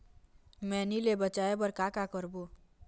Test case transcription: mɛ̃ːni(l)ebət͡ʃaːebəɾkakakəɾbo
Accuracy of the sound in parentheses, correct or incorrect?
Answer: correct